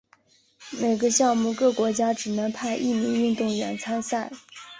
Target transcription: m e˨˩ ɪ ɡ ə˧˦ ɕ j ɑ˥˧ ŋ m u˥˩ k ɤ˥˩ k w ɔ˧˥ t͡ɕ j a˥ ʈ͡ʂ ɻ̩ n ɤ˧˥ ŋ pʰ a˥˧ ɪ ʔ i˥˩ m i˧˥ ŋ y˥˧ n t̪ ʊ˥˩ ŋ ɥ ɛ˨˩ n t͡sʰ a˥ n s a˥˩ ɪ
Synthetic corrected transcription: m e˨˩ ɪ ɡ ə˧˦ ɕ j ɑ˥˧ ŋ m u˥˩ k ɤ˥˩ k w ɔ˧˥ t͡ɕ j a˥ ʈ͡ʂ ɻ̩ n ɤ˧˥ ŋ pʰ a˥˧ ɪ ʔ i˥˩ m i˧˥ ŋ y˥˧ n t̪ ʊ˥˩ ŋ ɥ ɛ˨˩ n t͡sʰ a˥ n s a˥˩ ɪ